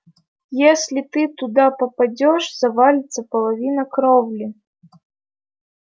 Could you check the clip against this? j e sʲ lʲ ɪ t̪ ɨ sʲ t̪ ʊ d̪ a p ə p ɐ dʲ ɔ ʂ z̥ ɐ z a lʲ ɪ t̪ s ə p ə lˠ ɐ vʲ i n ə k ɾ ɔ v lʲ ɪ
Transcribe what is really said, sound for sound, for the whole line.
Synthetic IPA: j e sʲ lʲ ɪ t̪ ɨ t̪ ʊ d̪ a p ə p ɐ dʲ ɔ ʂ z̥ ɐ v a lʲ ɪ t̪ s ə p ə lˠ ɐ vʲ i n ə k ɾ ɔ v lʲ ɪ